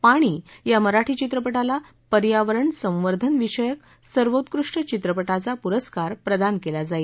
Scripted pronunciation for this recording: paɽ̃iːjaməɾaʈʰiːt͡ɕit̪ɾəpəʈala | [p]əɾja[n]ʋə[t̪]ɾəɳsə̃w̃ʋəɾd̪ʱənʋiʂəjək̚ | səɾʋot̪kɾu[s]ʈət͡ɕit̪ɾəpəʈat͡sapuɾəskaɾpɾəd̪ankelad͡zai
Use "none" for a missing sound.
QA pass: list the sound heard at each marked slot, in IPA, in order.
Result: p, none, none, ʂ

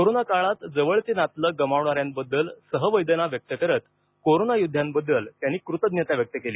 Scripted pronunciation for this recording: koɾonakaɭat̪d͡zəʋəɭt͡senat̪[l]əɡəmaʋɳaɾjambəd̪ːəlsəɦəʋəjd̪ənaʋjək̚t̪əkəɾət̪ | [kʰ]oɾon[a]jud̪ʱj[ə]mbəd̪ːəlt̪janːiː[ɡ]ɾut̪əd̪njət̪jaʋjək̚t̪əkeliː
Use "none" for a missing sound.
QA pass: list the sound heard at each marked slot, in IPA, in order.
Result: l, k, a, a, k

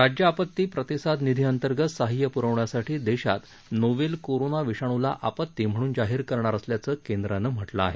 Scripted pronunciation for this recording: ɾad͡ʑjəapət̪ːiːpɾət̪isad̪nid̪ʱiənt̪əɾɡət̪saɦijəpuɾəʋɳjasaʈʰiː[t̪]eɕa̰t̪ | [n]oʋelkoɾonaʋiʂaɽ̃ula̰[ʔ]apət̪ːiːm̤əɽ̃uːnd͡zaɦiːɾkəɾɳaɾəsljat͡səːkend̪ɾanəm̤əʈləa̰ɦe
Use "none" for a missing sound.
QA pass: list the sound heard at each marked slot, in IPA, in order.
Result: d̪, n, ʔ

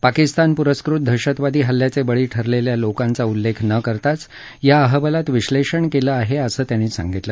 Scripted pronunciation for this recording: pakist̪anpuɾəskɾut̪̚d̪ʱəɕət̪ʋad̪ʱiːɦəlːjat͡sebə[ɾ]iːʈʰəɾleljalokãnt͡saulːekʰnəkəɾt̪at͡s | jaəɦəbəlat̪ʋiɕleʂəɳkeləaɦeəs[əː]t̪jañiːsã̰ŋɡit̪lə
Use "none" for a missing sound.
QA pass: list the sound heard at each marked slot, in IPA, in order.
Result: ɭ, əː

